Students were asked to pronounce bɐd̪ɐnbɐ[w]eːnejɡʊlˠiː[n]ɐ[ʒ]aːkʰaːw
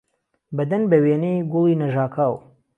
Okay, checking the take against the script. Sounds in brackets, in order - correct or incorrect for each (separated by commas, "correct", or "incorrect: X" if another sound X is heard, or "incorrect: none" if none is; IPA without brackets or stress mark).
correct, correct, correct